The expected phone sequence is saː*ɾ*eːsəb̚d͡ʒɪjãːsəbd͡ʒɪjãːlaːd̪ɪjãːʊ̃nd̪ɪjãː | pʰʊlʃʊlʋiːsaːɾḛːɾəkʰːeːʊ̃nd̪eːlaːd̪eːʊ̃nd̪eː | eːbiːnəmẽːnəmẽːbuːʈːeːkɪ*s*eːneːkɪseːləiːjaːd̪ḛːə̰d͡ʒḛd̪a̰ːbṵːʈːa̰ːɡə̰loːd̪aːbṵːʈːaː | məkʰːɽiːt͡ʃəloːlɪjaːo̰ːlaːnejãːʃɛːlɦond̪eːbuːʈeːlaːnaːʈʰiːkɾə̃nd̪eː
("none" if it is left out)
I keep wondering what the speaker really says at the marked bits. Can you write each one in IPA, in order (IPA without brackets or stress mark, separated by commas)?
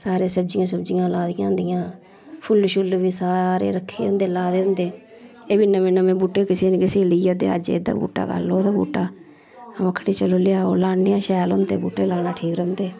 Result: ɾ, s